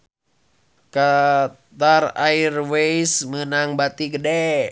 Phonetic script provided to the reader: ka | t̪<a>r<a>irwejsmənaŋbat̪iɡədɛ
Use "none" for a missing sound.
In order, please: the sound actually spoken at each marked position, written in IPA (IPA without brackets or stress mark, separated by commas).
a, a